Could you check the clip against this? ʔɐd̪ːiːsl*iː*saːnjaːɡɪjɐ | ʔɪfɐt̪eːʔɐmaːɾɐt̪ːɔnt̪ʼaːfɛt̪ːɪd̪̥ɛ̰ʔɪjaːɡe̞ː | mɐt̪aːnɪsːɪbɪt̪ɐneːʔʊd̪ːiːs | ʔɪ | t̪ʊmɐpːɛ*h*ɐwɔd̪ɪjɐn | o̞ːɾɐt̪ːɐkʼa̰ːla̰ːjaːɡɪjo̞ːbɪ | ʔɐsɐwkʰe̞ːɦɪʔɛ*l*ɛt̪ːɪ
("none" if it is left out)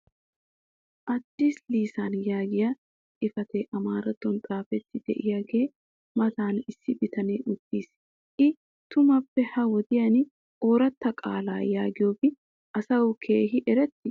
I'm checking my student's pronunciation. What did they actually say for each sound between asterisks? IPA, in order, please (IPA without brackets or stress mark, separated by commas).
iː, h, ɾ